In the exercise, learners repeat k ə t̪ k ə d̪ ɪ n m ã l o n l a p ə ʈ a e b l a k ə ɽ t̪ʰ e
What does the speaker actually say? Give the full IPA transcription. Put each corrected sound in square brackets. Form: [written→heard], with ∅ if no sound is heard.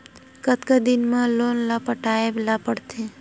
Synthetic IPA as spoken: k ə t̪ k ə d̪ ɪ n m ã l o n l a p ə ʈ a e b l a [k→p] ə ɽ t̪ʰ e

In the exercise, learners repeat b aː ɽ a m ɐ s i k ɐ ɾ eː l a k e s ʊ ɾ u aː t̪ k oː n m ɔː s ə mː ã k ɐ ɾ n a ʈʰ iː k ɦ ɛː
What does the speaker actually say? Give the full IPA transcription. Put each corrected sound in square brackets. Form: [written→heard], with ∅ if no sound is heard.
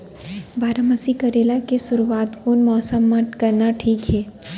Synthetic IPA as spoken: b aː [ɽ→ɾ] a m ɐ s i k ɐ ɾ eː l a k e s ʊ ɾ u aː t̪ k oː n m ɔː s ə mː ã k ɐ ɾ n a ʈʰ iː k ɦ ɛː

